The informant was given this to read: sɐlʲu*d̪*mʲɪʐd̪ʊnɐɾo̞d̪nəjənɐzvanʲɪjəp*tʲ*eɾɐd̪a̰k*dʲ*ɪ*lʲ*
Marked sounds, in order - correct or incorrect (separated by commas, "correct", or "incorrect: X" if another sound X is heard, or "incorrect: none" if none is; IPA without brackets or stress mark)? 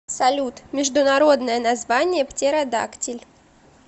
incorrect: t̪, correct, incorrect: tʲ, correct